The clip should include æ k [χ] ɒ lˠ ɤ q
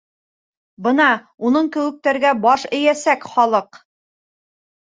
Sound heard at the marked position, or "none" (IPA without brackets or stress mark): χ